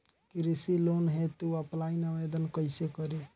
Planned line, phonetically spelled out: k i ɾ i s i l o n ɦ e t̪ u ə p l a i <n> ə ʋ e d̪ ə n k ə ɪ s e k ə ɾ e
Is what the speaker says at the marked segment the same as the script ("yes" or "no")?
yes